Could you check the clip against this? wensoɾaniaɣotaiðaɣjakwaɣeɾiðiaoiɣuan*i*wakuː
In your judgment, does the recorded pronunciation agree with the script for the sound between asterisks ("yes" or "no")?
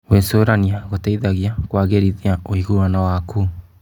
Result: no